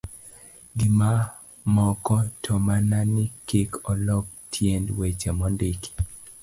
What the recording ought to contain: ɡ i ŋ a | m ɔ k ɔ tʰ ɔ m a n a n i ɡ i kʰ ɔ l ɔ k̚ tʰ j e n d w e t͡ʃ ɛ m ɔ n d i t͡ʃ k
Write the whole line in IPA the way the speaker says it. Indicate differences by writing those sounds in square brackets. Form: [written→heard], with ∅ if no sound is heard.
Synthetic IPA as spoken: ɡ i [ŋ→m] a | m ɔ k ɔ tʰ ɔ m a n a n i [ɡ→k] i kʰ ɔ l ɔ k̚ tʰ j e n d w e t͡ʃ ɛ m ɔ n d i [t͡ʃ→∅] k

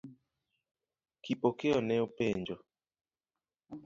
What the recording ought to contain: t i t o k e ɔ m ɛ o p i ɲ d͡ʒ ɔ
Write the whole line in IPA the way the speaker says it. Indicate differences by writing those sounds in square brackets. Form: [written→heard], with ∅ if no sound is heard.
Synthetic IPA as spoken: [t→k] i [t→p] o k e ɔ [m→n] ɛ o p [i→e] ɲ d͡ʒ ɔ

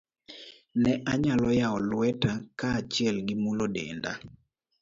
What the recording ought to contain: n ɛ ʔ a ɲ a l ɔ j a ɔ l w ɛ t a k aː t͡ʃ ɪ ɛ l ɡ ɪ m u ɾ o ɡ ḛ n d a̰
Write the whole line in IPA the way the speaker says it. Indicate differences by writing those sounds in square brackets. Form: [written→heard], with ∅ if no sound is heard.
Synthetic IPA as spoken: n ɛ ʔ a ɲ a l ɔ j a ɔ l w ɛ t a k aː t͡ʃ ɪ ɛ l ɡ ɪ m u [ɾ→l] o [ɡ→d] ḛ n d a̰

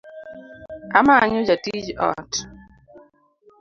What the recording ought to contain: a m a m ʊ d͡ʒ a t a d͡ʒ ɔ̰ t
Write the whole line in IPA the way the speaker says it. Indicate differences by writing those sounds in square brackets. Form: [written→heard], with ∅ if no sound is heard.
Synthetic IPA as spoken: a m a [m→ɲ] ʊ d͡ʒ a t [a→i] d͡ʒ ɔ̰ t

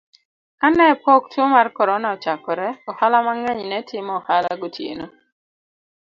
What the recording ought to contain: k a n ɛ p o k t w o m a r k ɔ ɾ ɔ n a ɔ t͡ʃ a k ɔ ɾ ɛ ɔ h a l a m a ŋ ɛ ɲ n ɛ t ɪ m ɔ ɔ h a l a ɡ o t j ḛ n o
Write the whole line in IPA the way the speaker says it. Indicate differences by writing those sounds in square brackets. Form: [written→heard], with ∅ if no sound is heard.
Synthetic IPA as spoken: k a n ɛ p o k t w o m a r k ɔ ɾ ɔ n a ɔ t͡ʃ a k ɔ ɾ ɛ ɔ h a l a m a ŋ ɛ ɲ n ɛ t ɪ m ɔ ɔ h a l a ɡ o t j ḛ n o

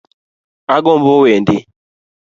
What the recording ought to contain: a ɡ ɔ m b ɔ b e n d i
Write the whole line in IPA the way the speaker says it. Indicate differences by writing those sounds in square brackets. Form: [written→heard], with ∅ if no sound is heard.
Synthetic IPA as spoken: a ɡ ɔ m b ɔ [b→w] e n d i

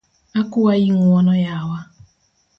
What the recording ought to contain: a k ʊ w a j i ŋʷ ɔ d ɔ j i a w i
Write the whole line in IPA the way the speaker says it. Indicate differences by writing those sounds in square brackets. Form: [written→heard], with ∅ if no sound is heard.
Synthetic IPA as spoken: a k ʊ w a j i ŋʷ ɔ [d→n] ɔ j [i→a] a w [i→a]

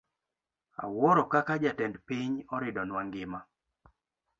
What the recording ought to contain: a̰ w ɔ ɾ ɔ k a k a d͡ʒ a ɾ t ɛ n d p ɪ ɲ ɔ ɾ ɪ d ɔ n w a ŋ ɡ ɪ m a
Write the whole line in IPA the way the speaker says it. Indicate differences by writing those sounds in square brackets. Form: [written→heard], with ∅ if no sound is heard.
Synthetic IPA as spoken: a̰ w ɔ ɾ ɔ k a k a d͡ʒ a [ɾ→∅] t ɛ n d p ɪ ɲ ɔ ɾ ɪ d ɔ n w a ŋ ɡ ɪ m a

